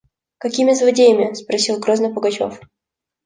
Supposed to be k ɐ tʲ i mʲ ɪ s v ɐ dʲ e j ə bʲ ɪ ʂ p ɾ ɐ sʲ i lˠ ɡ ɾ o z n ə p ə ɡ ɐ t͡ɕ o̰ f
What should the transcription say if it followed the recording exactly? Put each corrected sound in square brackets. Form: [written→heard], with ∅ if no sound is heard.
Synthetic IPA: k ɐ [tʲ→kʲ] i mʲ ɪ [s→z] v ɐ dʲ e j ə [bʲ→mʲ] ɪ [ʂ→s] p ɾ ɐ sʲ i lˠ ɡ ɾ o z n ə p ə ɡ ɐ t͡ɕ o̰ f